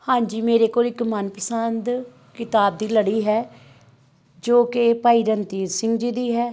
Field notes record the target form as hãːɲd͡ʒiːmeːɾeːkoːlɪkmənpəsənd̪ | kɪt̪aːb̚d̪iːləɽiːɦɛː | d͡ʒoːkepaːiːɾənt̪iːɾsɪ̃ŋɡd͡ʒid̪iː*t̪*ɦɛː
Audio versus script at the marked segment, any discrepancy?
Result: yes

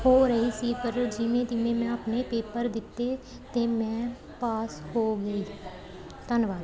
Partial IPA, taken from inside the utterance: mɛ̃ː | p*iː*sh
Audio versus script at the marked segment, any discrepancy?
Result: yes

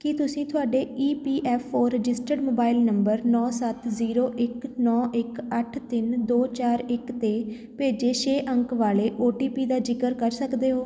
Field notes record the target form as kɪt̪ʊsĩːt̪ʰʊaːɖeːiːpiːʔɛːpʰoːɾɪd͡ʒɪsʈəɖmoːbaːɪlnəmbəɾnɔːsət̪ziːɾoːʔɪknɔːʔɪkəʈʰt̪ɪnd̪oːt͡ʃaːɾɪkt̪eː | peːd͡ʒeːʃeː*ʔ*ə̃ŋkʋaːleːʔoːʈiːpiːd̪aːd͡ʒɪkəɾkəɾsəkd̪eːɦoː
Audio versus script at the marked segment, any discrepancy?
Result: no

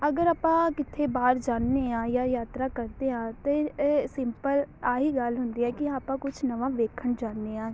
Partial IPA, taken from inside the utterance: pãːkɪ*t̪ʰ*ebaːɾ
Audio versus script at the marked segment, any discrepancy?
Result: no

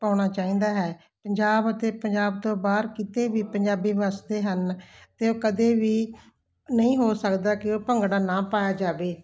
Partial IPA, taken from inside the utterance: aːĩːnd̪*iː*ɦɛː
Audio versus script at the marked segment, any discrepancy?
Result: yes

